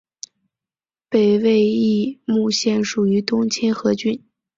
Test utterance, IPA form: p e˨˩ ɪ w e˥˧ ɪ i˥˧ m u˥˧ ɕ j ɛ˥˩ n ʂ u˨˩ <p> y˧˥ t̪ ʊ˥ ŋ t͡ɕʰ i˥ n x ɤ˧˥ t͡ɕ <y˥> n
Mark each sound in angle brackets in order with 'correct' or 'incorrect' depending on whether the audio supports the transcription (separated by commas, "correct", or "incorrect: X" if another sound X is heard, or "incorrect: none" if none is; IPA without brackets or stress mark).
incorrect: none, correct